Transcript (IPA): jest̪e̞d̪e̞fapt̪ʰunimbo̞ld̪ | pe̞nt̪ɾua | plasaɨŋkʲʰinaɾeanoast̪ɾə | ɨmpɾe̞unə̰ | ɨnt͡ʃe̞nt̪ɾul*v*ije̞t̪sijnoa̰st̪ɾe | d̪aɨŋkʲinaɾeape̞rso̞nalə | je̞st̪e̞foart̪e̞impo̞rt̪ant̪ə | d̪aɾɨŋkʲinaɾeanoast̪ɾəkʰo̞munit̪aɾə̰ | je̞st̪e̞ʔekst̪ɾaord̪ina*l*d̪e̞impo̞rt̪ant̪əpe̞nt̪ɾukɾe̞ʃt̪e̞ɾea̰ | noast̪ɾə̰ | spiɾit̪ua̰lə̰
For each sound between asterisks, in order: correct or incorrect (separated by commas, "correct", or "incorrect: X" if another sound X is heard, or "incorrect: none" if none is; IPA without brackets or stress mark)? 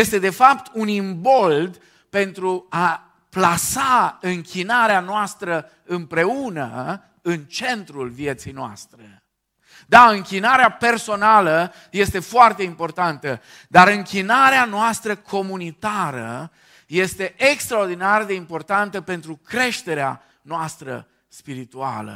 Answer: correct, incorrect: r